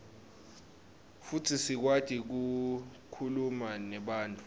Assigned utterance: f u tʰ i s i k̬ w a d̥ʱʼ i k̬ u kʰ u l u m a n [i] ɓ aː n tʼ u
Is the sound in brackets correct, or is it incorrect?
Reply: incorrect